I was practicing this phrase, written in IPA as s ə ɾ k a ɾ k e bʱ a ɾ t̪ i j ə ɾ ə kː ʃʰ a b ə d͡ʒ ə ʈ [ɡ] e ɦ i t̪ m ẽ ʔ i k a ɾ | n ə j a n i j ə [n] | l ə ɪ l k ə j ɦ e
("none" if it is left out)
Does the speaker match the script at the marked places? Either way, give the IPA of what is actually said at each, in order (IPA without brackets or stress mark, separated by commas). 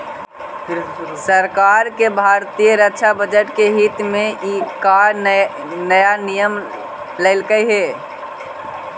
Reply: k, m